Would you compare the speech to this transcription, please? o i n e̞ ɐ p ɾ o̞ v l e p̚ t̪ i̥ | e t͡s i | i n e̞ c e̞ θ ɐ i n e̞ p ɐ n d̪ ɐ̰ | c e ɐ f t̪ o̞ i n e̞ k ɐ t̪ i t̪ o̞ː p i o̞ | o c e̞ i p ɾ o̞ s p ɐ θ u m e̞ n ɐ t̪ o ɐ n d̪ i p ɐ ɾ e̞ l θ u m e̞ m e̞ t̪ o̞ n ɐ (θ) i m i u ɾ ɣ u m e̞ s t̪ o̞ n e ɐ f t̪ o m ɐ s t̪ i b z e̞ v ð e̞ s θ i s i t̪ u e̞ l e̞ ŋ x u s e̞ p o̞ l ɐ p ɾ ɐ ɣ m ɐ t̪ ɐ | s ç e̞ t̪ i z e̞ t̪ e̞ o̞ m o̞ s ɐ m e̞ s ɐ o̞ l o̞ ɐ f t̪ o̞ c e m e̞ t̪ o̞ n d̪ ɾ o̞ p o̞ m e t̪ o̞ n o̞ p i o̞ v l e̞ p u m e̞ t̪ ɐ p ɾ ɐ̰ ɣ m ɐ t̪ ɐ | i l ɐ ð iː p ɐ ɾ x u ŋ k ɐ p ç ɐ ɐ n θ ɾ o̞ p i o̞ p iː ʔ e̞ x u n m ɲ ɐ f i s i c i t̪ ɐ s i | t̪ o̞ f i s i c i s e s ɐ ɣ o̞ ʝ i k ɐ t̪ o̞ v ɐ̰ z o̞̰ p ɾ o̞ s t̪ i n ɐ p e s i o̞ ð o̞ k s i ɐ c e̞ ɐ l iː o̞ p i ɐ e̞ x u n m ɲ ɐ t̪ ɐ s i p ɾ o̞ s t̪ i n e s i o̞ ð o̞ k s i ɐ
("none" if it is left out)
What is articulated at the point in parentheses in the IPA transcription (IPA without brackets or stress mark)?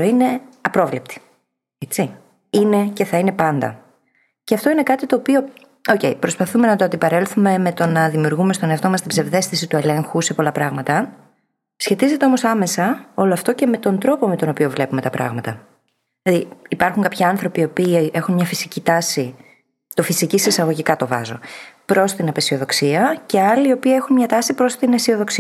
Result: ð